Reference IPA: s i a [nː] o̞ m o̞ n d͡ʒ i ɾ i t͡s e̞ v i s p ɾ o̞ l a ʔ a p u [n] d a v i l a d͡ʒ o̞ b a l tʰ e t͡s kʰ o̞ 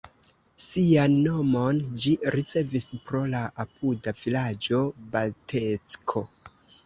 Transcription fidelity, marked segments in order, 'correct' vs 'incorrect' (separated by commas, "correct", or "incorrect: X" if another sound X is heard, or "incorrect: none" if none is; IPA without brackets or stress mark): correct, incorrect: none